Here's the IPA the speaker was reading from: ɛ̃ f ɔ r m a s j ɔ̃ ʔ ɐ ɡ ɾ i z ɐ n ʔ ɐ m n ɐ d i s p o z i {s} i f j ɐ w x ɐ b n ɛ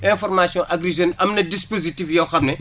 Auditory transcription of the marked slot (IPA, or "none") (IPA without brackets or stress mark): t